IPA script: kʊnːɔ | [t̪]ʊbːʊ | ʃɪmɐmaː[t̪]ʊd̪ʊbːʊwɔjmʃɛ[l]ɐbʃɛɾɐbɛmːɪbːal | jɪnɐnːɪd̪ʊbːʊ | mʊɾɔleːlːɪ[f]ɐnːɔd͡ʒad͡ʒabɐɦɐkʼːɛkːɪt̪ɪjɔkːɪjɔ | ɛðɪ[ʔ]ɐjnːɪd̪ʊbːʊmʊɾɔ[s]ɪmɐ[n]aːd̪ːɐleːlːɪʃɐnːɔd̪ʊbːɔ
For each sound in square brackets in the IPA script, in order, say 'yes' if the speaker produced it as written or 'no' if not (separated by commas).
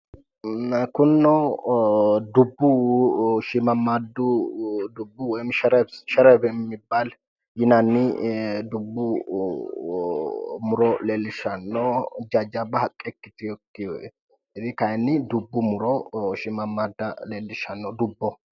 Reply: no, no, no, no, no, no, no